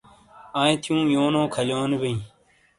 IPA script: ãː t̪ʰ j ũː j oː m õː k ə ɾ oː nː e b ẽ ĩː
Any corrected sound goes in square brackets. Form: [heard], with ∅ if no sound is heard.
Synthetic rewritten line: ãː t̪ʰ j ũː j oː [n] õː [kʰ] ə [l] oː [n] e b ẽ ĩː